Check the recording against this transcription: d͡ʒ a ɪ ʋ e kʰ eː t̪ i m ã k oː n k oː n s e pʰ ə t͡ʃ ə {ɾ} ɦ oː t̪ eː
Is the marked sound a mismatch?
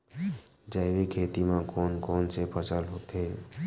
yes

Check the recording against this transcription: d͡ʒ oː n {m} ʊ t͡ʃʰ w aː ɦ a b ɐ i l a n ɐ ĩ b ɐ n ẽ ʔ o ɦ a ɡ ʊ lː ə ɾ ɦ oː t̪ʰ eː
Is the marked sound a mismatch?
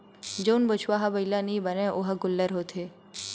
yes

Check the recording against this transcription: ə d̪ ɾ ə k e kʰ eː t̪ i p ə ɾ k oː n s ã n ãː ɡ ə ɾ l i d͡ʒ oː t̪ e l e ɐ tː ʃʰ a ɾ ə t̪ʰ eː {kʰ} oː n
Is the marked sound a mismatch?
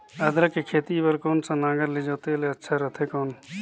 yes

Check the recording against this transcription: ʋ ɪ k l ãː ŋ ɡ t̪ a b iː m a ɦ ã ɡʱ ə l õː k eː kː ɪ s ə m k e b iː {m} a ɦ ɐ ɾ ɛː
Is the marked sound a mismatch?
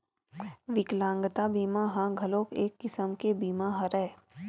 no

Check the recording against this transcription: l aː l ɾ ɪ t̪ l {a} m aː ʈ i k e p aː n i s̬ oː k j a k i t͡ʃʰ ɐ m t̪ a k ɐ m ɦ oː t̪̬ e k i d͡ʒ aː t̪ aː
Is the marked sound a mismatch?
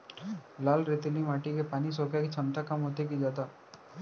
yes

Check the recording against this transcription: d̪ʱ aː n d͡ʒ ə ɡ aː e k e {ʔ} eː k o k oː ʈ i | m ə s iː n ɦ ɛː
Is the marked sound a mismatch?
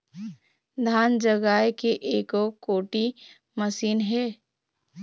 no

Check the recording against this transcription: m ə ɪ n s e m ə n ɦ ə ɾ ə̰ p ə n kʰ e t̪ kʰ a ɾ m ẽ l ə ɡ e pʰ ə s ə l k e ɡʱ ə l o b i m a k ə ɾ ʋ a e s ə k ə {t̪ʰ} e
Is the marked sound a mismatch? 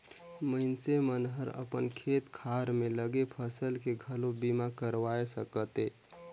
yes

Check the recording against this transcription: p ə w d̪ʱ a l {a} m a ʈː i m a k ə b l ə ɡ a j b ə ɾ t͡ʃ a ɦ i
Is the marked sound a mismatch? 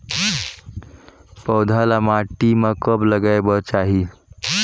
no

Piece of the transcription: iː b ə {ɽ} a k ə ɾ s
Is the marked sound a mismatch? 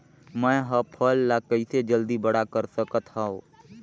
no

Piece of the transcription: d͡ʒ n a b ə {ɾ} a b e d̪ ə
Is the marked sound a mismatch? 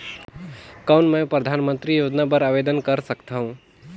no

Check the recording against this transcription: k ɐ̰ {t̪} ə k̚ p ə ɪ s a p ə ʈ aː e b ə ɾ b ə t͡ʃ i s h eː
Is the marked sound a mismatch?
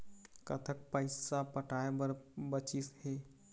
yes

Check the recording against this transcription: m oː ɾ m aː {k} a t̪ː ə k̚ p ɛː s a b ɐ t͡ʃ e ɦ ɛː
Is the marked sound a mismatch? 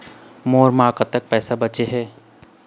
no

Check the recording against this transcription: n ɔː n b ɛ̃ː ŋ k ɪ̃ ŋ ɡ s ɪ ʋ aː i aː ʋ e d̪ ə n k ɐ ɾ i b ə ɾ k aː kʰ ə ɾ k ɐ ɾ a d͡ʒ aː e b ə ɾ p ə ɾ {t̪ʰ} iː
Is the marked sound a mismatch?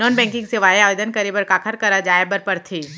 no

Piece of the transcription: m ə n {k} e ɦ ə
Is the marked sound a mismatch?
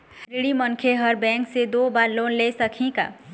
yes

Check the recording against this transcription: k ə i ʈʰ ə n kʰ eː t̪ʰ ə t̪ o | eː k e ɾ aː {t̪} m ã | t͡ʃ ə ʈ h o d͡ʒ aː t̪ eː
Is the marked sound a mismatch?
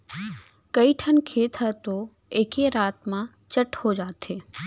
no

